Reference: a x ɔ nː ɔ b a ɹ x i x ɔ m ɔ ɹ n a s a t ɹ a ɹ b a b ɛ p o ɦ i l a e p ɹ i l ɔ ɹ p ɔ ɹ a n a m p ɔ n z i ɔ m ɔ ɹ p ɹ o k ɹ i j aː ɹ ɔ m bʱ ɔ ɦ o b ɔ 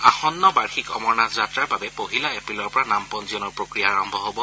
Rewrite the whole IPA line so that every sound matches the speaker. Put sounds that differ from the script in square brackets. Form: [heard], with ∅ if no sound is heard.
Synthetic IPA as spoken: a x ɔ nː ɔ b a ɹ x i [k] ɔ m ɔ ɹ n a [z] a t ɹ a ɹ b a b ɛ p o ɦ i l a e p ɹ i l ɔ ɹ p ɔ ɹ a n a m p ɔ n z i ɔ [n] ɔ ɹ p ɹ o k ɹ i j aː ɹ ɔ m bʱ ɔ ɦ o b ɔ

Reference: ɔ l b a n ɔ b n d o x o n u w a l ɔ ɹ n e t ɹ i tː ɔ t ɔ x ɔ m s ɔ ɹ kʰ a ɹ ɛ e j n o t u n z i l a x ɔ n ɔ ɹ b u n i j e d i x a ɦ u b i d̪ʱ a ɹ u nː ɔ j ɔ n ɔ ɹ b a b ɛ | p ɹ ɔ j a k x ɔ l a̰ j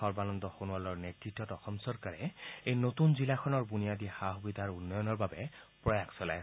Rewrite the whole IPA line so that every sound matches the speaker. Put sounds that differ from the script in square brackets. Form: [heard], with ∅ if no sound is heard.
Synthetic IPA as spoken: ɔ [ɹ] b a n ɔ [∅] n d [ɔ] x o n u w a l ɔ ɹ n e t ɹ i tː ɔ t ɔ x ɔ m s ɔ ɹ [k] a ɹ ɛ e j n o t u n z i l a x ɔ n ɔ ɹ b u n i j [a] d i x a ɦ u b i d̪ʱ a ɹ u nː ɔ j ɔ n ɔ ɹ b a b ɛ | p ɹ ɔ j a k [s] ɔ l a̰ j

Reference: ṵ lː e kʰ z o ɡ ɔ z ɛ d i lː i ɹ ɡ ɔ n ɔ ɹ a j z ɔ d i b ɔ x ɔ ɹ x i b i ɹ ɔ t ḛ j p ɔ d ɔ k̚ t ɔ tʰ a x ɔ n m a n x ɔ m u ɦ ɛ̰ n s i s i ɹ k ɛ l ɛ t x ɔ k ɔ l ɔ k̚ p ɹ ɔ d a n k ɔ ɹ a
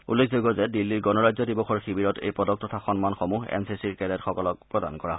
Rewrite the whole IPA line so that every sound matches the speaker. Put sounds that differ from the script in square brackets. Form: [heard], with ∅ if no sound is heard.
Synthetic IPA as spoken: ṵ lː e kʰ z o ɡ ɔ z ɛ d i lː i ɹ ɡ ɔ n ɔ ɹ a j z ɔ d i b ɔ x ɔ ɹ x i b i ɹ ɔ t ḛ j p ɔ d ɔ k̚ t ɔ tʰ a x ɔ n m a n x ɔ m u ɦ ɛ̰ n s i s i ɹ k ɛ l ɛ t x ɔ k ɔ l ɔ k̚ p ɹ ɔ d a n k ɔ ɹ a

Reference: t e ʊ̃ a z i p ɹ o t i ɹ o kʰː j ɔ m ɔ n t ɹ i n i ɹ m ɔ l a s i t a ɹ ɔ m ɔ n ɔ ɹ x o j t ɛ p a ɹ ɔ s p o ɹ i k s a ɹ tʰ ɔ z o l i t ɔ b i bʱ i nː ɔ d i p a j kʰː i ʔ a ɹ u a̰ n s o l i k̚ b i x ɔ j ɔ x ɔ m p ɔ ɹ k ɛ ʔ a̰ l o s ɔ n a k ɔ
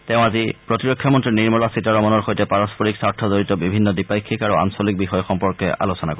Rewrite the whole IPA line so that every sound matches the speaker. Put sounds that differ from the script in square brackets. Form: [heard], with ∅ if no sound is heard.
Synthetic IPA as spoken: t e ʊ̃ a z i p ɹ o t i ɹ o kʰː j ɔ m ɔ n t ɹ i n i ɹ m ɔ l a s i t a ɹ ɔ m ɔ n ɔ ɹ x o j t ɛ p a ɹ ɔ s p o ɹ i k s a ɹ tʰ ɔ z o [ɹ] i t ɔ b i bʱ i nː ɔ d i p a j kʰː i [k] a ɹ u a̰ n s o l i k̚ b i x ɔ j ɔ x ɔ m p ɔ ɹ k ɛ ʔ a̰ l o s ɔ n a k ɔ

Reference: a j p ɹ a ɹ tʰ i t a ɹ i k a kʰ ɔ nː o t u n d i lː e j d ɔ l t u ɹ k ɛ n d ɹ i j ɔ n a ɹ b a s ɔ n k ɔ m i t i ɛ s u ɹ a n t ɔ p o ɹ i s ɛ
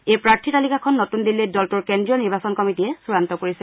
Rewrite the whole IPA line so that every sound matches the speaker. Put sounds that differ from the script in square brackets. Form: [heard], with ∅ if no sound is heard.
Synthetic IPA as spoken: [e] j p ɹ a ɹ tʰ i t a [l] i k a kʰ ɔ nː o t u n d i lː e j d ɔ l t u ɹ k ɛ n d ɹ i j ɔ n [i] ɹ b a s ɔ n k ɔ m i t i ɛ s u ɹ a n t ɔ [k] o ɹ i s ɛ

